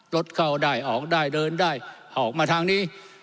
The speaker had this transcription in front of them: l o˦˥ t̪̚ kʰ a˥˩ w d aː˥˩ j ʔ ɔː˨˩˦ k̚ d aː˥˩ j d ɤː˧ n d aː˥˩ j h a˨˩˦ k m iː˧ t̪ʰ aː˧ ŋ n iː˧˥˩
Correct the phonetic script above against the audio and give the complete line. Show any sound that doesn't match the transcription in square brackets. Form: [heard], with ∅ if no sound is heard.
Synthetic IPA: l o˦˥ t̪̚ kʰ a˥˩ w d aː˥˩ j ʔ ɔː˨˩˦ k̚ d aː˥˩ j d ɤː˧ n d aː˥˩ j h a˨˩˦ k m [aː˧] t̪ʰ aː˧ ŋ n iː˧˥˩